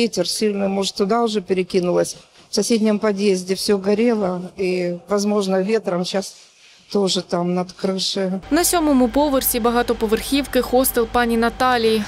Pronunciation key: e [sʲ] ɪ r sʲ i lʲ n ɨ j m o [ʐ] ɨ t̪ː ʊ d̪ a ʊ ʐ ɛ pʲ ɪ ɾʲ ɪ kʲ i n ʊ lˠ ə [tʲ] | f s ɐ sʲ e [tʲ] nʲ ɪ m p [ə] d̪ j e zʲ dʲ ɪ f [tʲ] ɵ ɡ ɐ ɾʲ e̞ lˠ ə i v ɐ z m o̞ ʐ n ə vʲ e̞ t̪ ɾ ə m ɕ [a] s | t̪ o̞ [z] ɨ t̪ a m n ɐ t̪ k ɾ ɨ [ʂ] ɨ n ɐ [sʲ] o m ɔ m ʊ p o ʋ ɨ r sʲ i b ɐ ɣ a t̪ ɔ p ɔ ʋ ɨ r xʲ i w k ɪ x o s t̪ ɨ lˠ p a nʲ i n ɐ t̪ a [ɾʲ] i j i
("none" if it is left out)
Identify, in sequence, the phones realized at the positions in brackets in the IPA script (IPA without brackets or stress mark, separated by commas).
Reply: tʲ, ʐ, sʲ, dʲ, ɐ, sʲ, a, ʐ, ʂ, sʲ, lʲ